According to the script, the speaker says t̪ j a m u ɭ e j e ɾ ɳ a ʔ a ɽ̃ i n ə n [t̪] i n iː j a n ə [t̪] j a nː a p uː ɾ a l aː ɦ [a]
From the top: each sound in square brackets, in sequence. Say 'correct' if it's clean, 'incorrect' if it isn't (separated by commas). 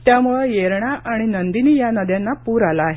incorrect, incorrect, incorrect